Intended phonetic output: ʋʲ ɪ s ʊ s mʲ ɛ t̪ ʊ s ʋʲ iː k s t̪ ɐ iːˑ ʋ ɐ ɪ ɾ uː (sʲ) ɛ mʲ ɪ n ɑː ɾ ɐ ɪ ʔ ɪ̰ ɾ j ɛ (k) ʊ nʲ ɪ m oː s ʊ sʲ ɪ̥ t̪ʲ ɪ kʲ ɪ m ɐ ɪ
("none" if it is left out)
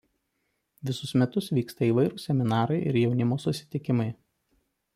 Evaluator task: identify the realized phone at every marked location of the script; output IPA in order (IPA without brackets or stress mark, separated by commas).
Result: sʲ, none